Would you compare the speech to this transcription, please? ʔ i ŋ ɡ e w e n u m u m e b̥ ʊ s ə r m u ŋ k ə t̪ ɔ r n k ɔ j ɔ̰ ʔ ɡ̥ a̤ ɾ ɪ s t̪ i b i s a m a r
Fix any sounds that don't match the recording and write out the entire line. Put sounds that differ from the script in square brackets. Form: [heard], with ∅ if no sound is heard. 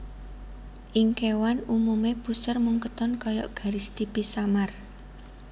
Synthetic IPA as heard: ʔ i ŋ [k] e w [a] n u m u m e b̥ [u] s ə r m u ŋ k ə t̪ ɔ [∅] n k ɔ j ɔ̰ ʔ ɡ̥ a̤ ɾ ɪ s t̪ i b i s a m a r